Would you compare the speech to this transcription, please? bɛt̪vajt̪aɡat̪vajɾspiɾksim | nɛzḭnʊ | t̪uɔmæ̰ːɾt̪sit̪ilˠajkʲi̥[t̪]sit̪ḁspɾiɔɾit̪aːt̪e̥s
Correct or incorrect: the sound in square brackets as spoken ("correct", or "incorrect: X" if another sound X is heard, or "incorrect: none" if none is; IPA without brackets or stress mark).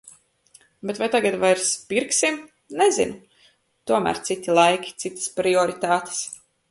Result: correct